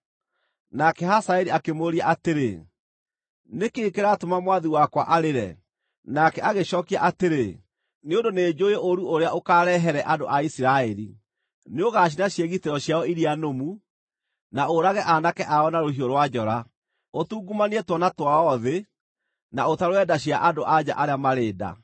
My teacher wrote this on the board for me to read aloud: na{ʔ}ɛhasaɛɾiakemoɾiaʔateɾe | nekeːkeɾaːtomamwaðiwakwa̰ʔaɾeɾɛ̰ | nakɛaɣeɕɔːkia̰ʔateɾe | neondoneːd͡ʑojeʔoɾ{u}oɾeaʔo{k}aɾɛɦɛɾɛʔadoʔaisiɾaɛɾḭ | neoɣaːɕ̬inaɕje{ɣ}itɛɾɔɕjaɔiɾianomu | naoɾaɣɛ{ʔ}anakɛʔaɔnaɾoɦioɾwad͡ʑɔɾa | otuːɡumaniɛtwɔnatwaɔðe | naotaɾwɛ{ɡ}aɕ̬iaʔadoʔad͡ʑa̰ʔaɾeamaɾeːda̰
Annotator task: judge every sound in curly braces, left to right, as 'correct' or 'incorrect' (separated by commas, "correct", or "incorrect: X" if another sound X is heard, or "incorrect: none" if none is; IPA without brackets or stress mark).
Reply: incorrect: k, correct, correct, correct, correct, incorrect: d